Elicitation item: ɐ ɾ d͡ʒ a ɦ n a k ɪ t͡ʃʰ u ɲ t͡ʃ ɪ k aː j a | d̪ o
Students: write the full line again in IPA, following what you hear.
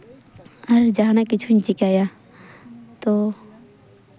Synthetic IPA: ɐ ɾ d͡ʒ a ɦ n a k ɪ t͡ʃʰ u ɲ t͡ʃ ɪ k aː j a | t̪ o